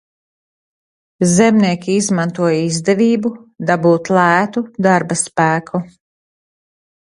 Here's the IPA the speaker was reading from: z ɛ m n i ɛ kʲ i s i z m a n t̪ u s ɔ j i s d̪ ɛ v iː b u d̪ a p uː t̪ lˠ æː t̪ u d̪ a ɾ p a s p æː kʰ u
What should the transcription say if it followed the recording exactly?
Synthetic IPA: z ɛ m n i ɛ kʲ i i z m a n t̪ u ɔ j i z d̪ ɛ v iː b u d̪ a b uː t̪ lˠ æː t̪ u d̪ a ɾ b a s p æː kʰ u